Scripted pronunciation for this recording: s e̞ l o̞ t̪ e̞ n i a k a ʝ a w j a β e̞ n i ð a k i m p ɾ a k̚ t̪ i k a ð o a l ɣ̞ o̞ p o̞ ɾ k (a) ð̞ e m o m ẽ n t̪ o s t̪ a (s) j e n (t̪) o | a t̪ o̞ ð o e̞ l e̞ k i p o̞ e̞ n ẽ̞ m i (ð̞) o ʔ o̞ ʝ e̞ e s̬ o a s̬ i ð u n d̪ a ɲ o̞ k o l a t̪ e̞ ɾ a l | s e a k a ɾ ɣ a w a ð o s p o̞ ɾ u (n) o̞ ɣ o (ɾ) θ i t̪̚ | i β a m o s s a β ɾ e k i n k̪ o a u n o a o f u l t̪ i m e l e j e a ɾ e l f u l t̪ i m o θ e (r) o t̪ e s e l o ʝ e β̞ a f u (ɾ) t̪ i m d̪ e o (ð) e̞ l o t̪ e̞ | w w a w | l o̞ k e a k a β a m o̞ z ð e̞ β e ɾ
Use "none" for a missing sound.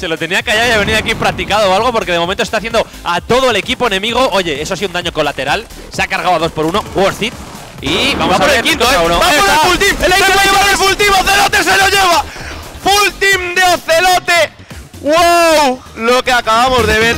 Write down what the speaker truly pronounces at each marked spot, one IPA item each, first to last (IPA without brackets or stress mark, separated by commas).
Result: e, θ, d̪, ɣ̞, n, ɾ, l, l, θ